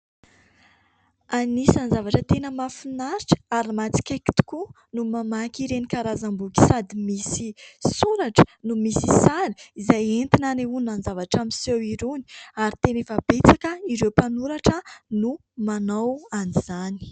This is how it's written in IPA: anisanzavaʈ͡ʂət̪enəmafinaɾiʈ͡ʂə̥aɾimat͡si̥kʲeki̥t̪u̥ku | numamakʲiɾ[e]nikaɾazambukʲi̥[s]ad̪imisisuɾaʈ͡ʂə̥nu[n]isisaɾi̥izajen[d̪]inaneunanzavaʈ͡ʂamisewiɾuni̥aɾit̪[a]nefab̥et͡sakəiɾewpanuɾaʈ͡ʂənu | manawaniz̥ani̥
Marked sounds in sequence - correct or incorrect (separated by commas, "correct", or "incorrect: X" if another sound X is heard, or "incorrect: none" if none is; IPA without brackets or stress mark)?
correct, correct, incorrect: m, incorrect: t̪, incorrect: e